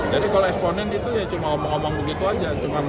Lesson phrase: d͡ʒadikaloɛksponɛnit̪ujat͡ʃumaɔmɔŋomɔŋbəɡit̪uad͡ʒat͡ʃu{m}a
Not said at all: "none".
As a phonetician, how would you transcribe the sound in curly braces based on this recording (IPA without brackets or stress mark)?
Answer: m